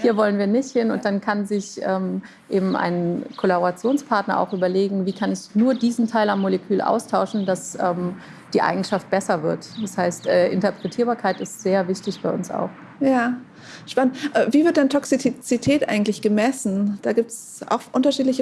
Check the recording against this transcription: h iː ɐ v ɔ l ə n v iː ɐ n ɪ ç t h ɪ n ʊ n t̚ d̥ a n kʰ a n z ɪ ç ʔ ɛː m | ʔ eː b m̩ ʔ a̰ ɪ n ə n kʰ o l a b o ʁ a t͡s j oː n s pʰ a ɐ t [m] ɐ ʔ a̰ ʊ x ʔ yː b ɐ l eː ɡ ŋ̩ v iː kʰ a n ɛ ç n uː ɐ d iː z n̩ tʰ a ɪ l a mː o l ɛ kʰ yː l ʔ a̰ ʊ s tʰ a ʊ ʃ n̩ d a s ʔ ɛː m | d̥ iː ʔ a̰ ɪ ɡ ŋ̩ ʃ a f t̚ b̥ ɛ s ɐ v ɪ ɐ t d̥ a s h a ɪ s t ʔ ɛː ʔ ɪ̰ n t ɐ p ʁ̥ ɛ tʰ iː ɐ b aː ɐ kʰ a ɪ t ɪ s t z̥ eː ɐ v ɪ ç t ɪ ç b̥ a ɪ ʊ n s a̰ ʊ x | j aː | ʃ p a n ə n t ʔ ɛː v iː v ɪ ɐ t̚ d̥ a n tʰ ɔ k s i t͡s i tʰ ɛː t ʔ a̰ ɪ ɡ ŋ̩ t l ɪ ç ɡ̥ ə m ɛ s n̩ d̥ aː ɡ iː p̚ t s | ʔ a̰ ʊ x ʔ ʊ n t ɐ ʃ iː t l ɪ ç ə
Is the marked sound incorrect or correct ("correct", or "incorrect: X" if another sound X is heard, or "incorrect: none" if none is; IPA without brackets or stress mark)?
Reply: incorrect: n